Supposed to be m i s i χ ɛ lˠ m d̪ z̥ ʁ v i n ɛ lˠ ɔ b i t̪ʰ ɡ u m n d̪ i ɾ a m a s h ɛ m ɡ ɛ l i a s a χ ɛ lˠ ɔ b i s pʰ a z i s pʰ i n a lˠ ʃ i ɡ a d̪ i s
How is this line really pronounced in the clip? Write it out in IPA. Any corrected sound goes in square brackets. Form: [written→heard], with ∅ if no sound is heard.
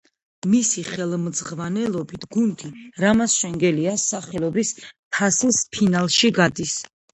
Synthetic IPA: m i s i χ ɛ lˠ m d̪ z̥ ʁ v [i→a] n ɛ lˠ ɔ b i t̪ʰ ɡ u [m→∅] n d̪ i ɾ a m a s [h→ʃ] ɛ [m→ŋ] ɡ ɛ l i a s a χ ɛ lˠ ɔ b i s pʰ a [z→s] i s pʰ i n a lˠ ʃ i ɡ a d̪ i s